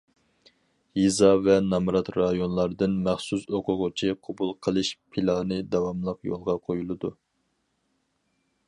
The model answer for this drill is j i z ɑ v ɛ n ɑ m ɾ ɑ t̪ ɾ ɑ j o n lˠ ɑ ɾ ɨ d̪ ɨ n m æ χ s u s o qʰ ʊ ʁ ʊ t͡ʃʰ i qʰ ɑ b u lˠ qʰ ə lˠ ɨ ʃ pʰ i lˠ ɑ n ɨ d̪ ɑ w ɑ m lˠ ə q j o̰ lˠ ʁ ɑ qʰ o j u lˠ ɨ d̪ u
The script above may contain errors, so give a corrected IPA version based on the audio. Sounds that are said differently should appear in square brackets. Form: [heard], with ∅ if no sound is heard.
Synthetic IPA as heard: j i z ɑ v ɛ n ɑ m ɾ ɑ t̪ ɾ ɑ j o n lˠ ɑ ɾ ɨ d̪ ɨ n m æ χ s u s o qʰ ʊ ʁ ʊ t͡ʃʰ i qʰ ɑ b u lˠ qʰ ə lˠ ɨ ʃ pʰ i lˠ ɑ n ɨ d̪ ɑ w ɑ m lˠ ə q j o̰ lˠ ʁ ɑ qʰ o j u lˠ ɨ d̪ u